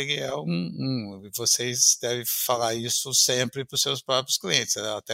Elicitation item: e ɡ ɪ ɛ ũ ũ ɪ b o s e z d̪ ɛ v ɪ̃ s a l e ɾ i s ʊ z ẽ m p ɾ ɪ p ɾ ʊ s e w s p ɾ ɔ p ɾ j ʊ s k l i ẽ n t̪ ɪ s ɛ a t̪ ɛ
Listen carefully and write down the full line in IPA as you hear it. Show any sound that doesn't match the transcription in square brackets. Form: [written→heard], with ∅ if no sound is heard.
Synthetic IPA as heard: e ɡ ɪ ɛ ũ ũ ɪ [b→v] o s e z d̪ ɛ v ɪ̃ [s→f] a l [e→a] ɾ i s ʊ [z→s] ẽ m p ɾ ɪ p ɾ ʊ s e w s p ɾ ɔ p ɾ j ʊ s k l i ẽ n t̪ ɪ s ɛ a t̪ ɛ